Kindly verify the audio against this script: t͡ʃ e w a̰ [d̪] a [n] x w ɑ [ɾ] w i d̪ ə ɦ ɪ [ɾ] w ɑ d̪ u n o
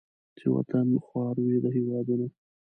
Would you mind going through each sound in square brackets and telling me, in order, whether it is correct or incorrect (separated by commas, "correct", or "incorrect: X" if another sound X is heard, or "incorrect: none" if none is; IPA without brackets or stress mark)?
incorrect: t̪, correct, correct, incorrect: none